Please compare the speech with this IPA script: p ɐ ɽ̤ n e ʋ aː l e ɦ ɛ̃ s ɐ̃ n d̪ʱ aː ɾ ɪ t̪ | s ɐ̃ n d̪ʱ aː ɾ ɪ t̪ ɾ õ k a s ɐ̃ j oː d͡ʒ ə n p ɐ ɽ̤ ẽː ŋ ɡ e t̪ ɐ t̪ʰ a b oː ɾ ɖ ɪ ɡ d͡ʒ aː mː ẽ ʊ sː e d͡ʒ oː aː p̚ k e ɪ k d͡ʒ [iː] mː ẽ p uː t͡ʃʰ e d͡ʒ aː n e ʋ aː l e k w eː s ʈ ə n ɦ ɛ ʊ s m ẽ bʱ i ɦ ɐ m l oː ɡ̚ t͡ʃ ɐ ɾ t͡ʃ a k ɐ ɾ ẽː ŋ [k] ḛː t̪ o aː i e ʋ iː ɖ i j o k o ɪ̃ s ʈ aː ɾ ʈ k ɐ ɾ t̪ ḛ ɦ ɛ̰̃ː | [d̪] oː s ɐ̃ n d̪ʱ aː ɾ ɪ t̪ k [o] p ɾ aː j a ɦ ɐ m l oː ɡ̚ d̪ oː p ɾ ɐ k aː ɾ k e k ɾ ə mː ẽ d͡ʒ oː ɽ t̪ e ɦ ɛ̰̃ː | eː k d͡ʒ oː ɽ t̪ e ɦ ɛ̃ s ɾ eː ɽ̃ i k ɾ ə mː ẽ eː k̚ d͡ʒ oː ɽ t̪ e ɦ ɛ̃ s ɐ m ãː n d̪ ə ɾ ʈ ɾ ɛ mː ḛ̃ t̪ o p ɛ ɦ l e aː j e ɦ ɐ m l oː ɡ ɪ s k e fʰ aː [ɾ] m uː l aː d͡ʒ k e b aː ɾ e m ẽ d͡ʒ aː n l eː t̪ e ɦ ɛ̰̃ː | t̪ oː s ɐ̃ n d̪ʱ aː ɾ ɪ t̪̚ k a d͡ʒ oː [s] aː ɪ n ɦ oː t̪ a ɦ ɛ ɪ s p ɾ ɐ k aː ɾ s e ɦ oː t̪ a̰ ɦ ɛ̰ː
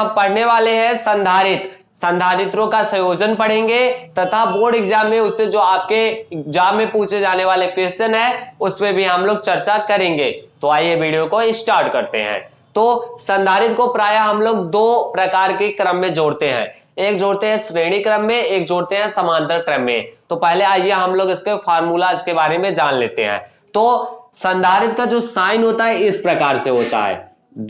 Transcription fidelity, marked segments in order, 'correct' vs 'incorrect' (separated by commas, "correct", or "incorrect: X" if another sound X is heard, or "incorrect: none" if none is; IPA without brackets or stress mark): incorrect: aː, incorrect: ɡ, incorrect: t̪, correct, correct, correct